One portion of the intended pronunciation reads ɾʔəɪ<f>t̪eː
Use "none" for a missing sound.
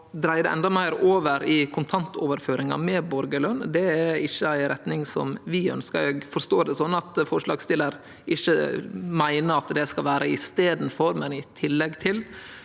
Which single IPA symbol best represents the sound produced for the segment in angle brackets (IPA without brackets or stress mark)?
s